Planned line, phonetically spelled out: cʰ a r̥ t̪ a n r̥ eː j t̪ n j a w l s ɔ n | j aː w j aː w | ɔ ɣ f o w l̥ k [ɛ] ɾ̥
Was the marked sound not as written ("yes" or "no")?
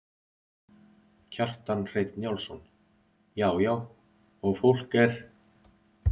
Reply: no